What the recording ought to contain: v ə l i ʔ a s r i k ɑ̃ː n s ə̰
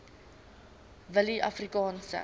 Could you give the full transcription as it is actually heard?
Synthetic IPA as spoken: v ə l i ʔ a f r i k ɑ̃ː n s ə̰